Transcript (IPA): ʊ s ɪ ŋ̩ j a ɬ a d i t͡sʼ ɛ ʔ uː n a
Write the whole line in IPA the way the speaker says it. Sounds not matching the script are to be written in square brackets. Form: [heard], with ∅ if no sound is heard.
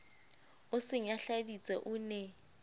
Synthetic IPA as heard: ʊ s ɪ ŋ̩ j a ɬ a d i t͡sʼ ɛ ʔ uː n [ɛ]